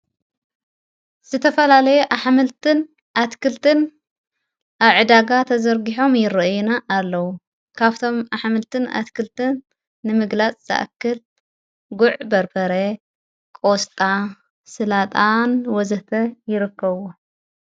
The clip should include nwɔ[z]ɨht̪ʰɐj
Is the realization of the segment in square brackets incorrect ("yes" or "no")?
no